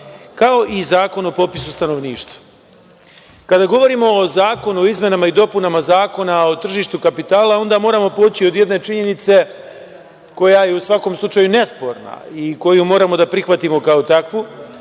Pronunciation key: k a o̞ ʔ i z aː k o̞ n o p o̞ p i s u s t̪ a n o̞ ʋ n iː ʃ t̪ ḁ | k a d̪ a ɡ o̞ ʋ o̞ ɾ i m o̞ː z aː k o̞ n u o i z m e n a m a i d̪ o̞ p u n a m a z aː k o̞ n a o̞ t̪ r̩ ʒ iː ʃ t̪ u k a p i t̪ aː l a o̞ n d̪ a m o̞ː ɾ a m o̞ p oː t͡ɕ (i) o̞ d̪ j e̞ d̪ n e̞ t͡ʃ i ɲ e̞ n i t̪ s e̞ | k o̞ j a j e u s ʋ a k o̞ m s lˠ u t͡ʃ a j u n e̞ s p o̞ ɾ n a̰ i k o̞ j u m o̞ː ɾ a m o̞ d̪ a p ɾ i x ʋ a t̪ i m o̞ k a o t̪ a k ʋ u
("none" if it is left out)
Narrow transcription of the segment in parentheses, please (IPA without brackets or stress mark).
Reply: i